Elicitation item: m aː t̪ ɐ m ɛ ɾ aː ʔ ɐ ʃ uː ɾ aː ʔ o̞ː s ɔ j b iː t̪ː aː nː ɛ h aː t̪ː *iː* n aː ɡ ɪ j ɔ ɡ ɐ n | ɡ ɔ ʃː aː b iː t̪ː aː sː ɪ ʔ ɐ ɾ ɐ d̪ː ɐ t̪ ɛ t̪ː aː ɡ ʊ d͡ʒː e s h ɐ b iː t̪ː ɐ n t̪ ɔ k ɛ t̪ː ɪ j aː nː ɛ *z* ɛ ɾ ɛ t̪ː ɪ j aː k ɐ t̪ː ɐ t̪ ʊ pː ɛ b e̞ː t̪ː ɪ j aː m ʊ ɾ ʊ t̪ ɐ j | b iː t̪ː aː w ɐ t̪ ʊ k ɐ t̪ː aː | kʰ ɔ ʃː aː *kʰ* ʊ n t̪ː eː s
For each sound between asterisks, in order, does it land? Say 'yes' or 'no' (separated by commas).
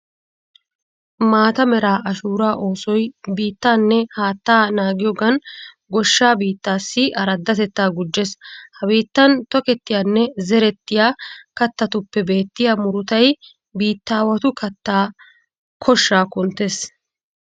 no, yes, no